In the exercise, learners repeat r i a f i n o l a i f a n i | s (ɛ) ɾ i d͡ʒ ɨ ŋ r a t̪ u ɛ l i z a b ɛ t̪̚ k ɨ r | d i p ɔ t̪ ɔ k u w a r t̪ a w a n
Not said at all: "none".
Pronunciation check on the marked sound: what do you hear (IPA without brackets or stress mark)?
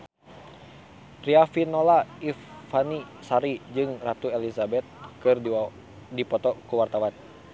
a